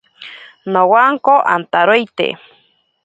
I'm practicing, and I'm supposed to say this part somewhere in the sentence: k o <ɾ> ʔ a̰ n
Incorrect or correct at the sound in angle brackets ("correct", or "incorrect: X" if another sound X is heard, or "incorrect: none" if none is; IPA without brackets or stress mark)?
incorrect: none